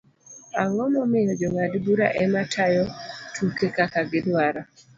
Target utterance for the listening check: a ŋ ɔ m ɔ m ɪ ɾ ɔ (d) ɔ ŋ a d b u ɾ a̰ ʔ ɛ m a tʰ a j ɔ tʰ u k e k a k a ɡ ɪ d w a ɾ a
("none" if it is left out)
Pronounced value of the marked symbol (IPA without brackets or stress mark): d͡ʒ